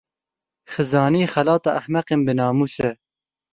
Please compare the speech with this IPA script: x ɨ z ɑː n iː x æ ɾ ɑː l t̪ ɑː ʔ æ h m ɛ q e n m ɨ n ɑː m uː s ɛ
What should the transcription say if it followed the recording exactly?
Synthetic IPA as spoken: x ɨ z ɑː n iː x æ l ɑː t̪ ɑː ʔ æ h m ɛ q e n b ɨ n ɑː m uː s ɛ